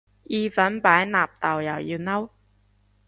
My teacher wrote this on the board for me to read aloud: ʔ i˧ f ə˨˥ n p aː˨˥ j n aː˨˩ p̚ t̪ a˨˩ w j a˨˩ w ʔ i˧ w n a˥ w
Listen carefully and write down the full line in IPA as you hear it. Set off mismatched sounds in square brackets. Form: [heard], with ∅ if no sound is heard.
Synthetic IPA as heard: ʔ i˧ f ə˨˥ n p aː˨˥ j n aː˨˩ p̚ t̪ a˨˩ w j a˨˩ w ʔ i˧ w n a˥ w